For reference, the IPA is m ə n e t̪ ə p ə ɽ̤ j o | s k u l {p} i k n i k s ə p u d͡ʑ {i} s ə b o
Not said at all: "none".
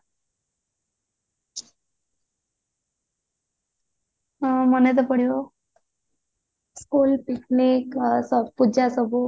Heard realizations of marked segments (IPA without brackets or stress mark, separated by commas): p, a